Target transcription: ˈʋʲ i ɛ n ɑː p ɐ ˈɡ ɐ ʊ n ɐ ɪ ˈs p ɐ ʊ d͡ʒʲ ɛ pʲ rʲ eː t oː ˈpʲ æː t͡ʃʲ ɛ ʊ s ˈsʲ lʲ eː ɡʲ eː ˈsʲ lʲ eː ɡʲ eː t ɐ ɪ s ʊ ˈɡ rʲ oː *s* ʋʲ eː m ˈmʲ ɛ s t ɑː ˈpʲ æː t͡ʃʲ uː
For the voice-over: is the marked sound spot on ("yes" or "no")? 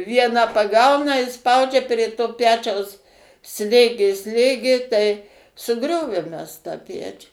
no